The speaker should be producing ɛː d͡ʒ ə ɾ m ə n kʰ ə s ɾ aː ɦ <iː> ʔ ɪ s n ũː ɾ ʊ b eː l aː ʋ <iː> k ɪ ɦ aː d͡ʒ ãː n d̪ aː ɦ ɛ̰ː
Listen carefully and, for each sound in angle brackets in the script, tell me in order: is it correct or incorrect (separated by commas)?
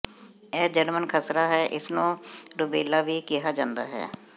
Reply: incorrect, correct